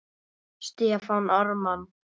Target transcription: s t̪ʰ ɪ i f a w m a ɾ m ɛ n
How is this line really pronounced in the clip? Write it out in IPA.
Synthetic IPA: s t̪ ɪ a f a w n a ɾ m a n